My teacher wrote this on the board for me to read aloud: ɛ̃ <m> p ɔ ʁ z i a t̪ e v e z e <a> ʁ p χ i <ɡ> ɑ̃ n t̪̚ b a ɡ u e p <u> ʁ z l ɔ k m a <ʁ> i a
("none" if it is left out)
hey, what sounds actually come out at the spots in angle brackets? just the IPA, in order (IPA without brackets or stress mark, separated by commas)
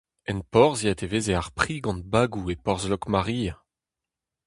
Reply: n, a, ɡ, ɔ, ʁ